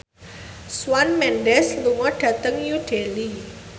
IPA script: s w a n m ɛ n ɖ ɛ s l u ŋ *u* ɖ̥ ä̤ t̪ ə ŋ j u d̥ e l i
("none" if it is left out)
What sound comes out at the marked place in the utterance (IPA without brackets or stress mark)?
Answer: ɔ